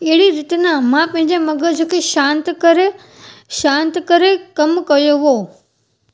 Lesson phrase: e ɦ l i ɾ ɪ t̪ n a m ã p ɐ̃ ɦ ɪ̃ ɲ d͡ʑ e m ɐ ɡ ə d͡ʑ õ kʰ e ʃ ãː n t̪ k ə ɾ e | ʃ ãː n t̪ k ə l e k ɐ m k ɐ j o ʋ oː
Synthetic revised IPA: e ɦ ɽ i ɾ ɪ t̪ n a m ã p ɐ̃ ɦ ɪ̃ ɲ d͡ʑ e m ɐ ɡ ə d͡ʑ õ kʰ e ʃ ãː n t̪ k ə ɾ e | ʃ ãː n t̪ k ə ɾ e k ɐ m k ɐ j o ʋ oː